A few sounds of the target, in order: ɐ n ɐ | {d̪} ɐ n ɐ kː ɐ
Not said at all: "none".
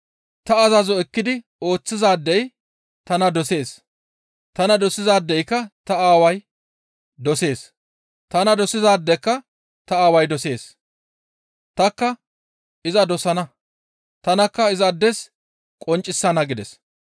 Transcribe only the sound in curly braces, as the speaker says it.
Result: t̪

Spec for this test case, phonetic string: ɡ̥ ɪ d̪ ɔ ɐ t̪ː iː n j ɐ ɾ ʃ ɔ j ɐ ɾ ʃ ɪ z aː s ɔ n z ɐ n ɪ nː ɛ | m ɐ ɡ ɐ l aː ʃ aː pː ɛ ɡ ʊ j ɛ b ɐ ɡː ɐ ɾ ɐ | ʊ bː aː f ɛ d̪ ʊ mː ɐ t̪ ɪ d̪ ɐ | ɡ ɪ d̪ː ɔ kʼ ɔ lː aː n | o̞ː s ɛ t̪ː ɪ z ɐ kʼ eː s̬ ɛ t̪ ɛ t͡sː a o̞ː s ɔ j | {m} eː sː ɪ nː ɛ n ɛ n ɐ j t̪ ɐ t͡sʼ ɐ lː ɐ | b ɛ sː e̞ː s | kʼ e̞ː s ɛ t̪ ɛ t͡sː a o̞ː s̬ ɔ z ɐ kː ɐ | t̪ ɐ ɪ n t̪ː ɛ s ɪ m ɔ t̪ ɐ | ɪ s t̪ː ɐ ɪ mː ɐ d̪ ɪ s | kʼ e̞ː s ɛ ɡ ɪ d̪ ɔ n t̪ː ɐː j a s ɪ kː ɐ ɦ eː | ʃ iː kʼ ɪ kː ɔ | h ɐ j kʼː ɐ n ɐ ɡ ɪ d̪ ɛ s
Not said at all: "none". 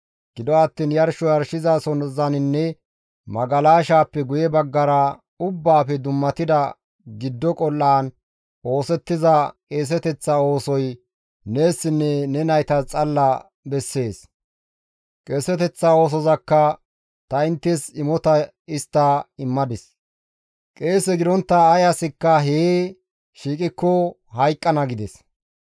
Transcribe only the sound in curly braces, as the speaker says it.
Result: n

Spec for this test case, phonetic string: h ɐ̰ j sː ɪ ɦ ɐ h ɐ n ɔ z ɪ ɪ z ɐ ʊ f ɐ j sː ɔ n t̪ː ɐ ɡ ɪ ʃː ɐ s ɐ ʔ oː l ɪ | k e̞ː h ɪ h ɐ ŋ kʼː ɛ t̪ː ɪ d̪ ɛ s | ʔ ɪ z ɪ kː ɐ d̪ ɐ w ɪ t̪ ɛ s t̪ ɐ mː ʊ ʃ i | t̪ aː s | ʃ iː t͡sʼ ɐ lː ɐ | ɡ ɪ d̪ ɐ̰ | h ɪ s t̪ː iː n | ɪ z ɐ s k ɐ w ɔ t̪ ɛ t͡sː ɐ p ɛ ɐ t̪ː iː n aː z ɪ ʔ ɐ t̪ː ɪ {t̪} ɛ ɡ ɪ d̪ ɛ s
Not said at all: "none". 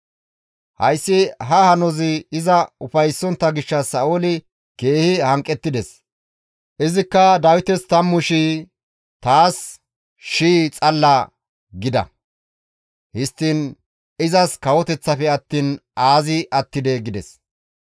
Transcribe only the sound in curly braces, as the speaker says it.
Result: d̪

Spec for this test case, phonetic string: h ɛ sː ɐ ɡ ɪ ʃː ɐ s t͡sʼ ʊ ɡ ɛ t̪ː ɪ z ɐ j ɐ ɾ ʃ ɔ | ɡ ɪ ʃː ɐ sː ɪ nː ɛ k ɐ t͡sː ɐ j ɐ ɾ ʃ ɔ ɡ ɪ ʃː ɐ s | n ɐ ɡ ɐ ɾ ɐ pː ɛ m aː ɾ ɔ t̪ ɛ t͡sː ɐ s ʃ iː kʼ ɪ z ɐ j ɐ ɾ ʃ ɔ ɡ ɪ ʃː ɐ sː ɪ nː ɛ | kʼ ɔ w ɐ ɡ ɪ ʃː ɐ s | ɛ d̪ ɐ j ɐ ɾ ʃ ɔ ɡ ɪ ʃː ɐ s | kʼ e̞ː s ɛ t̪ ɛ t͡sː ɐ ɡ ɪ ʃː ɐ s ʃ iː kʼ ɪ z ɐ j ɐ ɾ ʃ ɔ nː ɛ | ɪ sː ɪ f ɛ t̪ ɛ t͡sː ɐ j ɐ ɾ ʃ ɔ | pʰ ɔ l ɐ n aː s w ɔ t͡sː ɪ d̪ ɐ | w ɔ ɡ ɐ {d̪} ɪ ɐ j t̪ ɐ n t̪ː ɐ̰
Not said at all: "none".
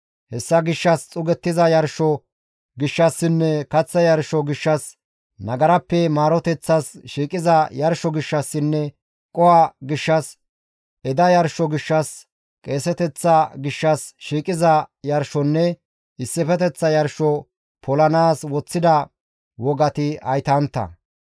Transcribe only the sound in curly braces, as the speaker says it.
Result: t̪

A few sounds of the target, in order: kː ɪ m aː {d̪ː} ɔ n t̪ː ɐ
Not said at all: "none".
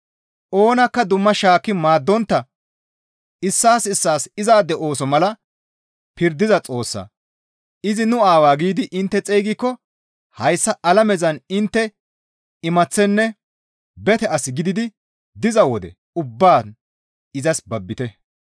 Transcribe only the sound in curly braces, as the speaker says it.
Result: d̪ː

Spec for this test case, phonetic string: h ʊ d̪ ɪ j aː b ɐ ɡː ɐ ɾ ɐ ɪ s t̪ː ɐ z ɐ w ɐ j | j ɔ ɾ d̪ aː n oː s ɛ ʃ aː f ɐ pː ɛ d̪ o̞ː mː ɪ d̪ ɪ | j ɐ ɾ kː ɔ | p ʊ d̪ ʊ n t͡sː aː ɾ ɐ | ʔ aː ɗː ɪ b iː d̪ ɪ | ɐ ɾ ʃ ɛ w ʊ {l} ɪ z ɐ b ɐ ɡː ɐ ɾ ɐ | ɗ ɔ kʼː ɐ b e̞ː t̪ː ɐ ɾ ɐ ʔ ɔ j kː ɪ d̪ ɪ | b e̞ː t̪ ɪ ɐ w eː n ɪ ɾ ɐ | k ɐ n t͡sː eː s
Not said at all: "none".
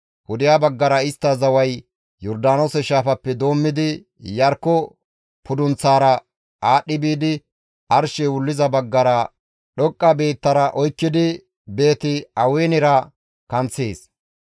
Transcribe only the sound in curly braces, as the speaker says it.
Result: lː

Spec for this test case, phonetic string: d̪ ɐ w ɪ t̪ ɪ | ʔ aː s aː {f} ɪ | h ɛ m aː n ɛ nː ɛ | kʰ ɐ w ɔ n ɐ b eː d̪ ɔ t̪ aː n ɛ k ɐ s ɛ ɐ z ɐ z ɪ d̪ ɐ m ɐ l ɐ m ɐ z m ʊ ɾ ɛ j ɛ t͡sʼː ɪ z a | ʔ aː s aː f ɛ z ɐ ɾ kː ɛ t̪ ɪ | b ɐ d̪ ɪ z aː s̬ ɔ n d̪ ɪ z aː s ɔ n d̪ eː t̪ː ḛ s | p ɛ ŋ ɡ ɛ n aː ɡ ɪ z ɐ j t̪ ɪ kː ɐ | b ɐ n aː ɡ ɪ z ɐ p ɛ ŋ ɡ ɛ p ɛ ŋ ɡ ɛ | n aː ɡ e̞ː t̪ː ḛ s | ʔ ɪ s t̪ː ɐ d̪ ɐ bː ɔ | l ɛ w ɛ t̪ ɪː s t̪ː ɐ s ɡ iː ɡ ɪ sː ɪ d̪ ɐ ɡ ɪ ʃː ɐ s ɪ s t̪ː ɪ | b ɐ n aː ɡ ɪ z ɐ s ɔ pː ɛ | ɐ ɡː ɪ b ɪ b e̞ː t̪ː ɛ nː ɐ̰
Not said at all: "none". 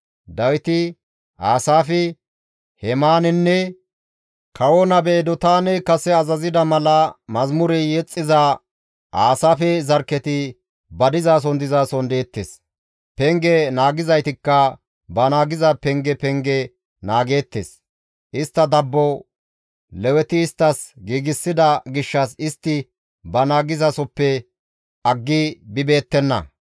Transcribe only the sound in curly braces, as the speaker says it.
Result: f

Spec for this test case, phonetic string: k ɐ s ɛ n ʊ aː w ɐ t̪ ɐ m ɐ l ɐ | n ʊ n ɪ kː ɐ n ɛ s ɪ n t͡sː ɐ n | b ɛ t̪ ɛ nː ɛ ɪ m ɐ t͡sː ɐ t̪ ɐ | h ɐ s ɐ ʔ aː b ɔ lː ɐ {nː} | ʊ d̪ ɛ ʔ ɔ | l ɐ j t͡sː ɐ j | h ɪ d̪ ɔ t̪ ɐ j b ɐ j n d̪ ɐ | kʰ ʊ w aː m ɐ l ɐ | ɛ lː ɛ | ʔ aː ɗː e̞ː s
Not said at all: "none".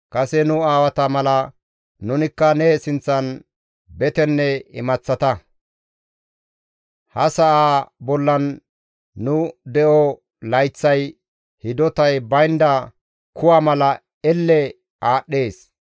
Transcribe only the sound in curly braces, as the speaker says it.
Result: nː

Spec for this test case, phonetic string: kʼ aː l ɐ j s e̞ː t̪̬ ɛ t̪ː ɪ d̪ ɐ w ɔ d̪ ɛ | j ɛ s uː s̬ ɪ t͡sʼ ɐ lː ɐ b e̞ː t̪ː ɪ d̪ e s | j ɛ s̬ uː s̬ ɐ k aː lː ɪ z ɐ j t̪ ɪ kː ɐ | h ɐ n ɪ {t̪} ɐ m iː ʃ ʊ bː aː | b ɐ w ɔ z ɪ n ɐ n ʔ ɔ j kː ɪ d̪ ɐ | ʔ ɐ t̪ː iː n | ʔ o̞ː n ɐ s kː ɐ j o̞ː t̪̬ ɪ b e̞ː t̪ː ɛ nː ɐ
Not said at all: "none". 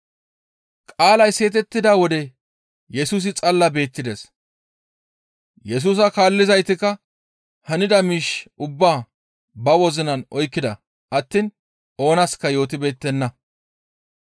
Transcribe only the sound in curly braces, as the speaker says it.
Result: d̪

